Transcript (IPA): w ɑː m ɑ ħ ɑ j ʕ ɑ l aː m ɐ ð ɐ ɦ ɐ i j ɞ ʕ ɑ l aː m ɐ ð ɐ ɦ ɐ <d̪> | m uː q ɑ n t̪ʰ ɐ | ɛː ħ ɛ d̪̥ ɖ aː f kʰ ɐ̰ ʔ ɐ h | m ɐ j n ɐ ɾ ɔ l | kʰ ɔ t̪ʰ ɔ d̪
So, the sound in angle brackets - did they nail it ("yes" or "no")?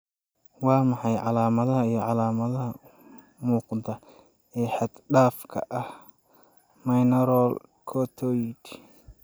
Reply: no